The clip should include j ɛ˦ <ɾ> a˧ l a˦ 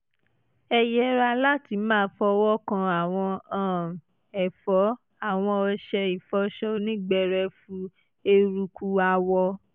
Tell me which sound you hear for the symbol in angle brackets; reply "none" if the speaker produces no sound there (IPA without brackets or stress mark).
ɾ